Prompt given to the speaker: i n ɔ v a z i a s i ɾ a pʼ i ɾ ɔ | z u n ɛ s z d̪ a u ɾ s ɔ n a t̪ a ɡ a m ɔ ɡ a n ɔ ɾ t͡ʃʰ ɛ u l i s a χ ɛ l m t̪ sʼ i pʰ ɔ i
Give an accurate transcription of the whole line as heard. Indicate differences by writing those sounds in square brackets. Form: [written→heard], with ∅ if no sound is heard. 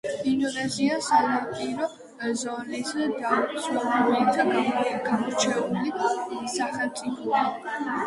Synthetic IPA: i n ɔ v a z i a s [i→a] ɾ a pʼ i ɾ ɔ | z [u→ɔ] n ɛ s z d̪ a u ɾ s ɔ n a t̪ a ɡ a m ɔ ɡ a [n→m] ɔ ɾ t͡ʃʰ ɛ u l i s a χ ɛ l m t̪ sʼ i pʰ ɔ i